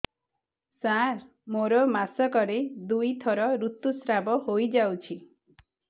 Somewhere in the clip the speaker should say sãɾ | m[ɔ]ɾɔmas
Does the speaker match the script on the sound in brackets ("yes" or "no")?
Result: no